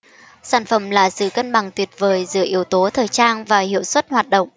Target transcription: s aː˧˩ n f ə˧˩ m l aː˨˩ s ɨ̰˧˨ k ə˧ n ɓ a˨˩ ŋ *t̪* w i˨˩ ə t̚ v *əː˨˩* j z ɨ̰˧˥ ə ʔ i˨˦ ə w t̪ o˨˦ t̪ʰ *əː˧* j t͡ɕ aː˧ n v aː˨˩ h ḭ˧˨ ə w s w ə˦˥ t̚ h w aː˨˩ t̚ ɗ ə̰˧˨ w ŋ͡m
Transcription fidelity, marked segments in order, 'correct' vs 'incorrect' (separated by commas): correct, correct, incorrect